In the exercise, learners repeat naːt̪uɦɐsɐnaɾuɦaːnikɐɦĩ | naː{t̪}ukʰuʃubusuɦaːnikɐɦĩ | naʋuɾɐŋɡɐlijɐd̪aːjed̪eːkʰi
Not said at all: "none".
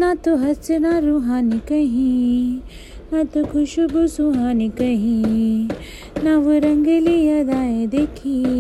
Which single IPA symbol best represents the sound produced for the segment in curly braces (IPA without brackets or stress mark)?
t̪